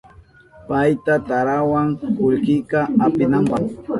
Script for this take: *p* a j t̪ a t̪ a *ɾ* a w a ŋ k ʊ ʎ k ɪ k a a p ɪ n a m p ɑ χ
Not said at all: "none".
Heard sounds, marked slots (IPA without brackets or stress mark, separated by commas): p, ɾ